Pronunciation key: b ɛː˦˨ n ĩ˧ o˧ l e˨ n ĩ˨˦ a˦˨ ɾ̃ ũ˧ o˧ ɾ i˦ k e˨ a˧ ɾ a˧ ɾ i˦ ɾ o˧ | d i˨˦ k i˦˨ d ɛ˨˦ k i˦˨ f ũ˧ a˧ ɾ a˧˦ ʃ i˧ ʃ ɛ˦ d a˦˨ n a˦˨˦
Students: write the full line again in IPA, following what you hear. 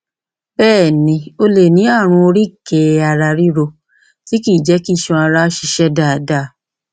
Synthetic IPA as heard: b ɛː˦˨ n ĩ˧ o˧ l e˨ n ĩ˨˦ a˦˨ ɾ̃ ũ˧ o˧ ɾ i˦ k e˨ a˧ ɾ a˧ ɾ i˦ ɾ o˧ | t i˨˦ k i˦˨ d͡ʒ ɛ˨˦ k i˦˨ ʃ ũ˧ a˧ ɾ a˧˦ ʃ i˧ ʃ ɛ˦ d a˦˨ d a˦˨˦